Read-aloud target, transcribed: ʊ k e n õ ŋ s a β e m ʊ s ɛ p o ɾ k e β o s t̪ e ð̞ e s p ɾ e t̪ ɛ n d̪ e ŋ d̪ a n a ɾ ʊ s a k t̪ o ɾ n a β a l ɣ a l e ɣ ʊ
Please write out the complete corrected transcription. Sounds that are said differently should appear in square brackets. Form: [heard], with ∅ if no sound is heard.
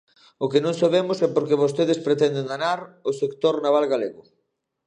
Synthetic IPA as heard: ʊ k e n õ ŋ s a β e m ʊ s ɛ p o ɾ k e β o s t̪ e ð̞ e s p ɾ e t̪ ɛ n d̪ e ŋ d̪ a n a ɾ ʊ s [e] k t̪ o ɾ n a β a l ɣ a l e ɣ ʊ